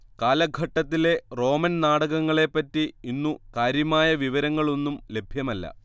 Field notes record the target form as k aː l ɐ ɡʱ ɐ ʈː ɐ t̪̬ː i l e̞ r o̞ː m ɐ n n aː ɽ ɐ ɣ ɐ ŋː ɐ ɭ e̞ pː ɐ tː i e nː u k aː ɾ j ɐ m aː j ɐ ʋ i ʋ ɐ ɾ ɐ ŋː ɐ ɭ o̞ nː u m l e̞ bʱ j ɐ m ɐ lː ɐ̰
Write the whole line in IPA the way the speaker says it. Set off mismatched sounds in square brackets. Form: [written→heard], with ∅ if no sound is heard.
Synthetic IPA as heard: k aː l ɐ ɡʱ ɐ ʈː ɐ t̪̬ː i l e̞ r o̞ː m ɐ n n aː ɽ ɐ ɣ ɐ ŋː ɐ ɭ e̞ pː ɐ tː i [e→i] nː u k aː ɾ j ɐ m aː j ɐ ʋ i ʋ ɐ ɾ ɐ ŋː ɐ ɭ o̞ nː u m l e̞ bʱ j ɐ m ɐ lː ɐ̰